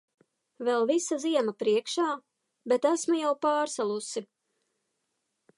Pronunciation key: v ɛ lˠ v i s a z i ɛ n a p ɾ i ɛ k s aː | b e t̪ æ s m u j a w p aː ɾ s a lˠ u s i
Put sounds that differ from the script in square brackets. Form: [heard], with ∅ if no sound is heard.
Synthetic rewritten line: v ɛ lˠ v i s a z i ɛ [m] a p ɾ i ɛ k [ʃ] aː | b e t̪ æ s m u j a w p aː ɾ s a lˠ u s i